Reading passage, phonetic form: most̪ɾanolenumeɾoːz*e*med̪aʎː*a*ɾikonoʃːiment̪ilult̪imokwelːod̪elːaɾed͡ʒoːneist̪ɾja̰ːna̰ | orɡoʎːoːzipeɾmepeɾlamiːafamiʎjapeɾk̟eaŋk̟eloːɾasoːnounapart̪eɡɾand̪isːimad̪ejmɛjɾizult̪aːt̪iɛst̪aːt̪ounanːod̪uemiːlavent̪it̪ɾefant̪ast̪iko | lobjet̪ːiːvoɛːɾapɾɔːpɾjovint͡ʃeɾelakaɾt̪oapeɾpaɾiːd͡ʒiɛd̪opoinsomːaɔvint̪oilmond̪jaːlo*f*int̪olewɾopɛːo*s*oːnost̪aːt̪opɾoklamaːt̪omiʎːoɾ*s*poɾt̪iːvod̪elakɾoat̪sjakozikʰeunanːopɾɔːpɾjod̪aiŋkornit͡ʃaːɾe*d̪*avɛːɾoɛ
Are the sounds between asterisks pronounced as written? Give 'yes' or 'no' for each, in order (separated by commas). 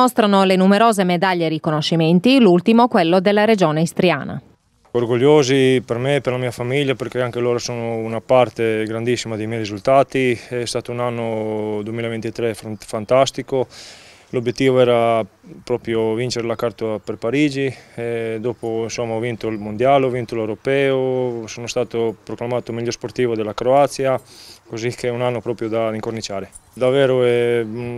yes, no, no, yes, yes, yes